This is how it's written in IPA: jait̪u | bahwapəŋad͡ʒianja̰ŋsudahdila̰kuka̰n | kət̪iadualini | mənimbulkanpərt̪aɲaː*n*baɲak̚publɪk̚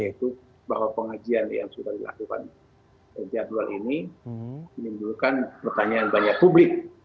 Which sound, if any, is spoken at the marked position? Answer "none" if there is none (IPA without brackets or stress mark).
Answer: n